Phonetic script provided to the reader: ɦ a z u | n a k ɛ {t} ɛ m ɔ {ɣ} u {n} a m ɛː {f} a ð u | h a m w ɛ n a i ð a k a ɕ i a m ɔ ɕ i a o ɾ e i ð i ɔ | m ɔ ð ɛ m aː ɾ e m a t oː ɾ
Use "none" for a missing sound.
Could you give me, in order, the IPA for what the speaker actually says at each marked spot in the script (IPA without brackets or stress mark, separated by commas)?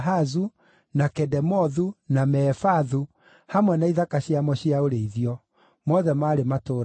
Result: d, ð, n, f